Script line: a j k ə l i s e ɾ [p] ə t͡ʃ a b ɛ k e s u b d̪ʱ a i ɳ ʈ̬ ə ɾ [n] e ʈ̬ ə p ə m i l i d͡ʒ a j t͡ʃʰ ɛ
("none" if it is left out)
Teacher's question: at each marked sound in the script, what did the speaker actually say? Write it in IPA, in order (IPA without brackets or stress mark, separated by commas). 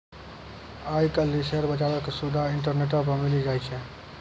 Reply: b, n